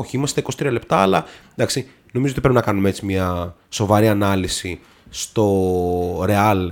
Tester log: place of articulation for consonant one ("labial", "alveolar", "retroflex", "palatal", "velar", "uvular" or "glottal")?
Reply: palatal